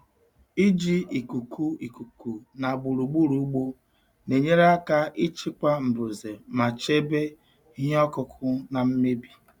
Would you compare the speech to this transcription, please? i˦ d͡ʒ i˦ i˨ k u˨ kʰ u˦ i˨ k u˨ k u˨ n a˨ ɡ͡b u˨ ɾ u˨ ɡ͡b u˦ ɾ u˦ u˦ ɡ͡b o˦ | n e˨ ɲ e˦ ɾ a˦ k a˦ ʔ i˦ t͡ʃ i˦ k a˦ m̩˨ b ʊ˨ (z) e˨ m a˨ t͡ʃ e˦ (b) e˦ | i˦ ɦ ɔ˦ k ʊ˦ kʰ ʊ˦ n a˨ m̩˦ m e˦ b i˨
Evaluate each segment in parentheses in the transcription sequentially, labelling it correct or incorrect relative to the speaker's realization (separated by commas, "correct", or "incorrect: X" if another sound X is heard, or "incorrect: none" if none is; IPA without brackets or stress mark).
correct, correct